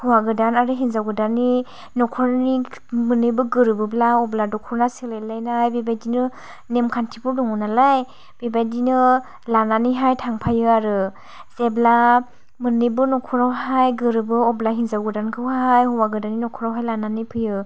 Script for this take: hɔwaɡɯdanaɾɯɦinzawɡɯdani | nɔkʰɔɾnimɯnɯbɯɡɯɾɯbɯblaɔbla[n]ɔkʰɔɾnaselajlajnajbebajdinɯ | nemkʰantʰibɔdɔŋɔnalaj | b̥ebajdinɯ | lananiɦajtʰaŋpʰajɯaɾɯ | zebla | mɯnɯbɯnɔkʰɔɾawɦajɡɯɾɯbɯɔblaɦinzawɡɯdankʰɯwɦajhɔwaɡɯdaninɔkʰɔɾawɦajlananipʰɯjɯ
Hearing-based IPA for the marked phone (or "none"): d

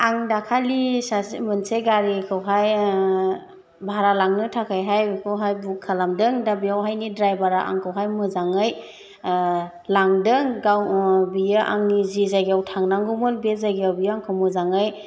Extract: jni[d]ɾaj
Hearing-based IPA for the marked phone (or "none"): d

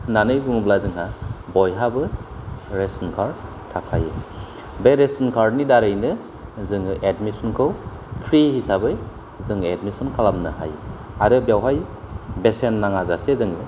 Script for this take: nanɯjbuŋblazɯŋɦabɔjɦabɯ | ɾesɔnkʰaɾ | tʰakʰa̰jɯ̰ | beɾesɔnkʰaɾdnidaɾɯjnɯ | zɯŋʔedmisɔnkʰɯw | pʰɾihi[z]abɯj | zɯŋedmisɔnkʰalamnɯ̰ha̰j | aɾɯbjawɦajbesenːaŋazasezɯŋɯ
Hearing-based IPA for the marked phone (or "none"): s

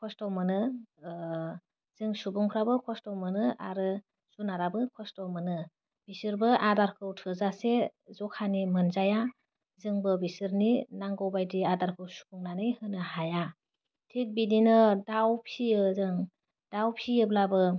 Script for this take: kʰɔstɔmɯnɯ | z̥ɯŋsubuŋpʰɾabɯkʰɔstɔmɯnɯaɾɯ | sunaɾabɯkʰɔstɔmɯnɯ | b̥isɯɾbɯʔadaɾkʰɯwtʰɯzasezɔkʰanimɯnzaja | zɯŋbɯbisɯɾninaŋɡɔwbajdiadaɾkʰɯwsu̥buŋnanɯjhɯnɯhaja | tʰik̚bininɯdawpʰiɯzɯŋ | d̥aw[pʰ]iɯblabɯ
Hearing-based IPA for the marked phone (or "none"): pʰ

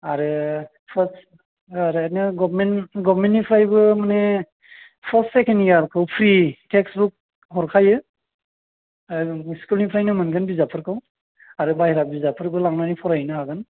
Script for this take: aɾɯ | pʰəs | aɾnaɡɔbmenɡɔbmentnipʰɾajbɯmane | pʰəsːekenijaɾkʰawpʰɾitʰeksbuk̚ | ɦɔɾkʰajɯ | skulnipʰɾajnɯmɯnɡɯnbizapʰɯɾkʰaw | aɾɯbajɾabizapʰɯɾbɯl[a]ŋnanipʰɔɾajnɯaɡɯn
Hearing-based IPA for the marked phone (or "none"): a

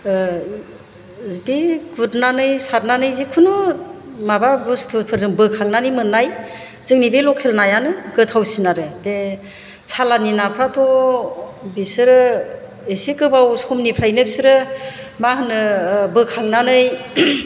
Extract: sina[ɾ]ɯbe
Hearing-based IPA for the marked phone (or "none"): ɾ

